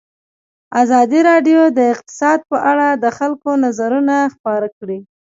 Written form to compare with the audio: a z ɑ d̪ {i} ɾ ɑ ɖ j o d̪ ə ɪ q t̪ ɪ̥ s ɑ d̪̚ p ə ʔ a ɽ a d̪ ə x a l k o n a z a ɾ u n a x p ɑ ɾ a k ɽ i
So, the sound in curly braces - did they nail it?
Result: yes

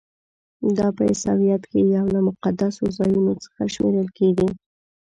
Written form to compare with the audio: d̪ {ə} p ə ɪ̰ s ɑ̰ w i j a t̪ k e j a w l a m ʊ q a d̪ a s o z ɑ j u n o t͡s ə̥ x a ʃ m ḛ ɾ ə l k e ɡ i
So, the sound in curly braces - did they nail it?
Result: no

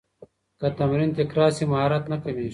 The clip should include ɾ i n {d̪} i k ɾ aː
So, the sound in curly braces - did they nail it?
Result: no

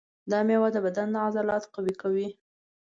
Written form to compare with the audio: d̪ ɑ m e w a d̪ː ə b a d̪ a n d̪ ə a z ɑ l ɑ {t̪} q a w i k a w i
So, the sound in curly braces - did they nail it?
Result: yes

